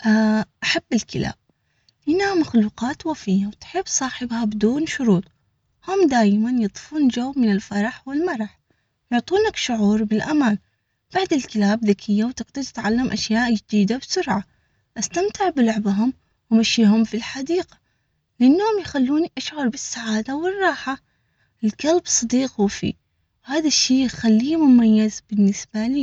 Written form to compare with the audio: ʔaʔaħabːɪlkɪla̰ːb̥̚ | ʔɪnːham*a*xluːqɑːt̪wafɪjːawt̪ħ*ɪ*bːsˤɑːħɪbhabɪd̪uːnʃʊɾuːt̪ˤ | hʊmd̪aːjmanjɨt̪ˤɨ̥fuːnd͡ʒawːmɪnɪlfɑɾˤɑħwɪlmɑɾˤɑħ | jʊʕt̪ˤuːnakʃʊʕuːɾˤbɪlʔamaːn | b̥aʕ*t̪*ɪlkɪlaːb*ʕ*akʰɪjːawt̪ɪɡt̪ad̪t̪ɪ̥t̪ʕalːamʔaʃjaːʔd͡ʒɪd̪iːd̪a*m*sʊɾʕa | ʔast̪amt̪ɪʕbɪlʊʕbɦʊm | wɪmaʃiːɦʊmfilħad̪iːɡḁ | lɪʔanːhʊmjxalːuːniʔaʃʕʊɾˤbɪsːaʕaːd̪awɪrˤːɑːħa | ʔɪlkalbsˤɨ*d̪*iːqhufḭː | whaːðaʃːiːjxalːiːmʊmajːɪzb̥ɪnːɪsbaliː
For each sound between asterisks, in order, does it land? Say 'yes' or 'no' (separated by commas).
yes, yes, no, no, no, yes